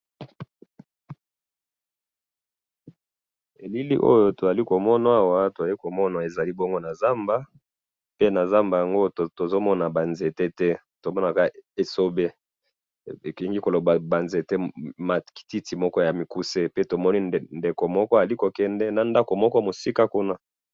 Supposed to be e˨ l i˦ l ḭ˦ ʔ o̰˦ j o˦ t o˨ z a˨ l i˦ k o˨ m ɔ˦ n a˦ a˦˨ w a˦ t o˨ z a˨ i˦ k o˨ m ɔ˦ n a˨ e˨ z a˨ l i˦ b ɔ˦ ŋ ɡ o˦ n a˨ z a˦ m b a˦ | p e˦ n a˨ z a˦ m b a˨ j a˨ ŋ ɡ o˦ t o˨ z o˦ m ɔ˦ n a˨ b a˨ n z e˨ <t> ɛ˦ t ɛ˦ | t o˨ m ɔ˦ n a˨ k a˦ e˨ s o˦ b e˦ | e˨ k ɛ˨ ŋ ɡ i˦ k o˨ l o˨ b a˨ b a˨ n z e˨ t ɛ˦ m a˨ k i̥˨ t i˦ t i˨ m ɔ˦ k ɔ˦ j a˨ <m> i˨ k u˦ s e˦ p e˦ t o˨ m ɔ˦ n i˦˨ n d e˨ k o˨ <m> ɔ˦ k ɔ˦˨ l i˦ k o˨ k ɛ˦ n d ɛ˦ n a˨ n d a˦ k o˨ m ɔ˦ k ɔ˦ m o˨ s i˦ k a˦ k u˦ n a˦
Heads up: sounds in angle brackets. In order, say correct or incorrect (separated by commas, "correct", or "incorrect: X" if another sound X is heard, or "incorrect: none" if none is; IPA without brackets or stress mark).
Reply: correct, correct, correct